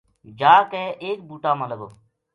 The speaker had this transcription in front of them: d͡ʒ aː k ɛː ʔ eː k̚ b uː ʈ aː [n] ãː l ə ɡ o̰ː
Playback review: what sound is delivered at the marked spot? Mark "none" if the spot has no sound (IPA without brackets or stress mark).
m